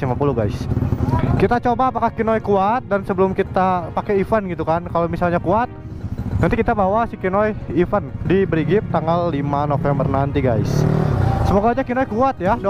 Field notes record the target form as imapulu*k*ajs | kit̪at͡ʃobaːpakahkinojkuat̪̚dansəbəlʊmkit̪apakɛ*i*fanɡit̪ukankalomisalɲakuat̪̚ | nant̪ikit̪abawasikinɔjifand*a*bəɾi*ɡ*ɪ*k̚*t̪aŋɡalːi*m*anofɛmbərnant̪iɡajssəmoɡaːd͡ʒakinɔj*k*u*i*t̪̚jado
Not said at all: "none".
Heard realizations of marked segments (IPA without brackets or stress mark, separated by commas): ɡ, i, i, ɡ, p̚, m, k, a